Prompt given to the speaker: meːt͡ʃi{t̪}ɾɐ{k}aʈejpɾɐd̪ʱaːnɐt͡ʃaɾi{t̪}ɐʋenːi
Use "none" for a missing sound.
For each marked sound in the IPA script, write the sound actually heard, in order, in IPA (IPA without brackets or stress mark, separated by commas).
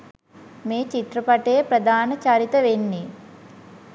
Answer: t̪, p, t̪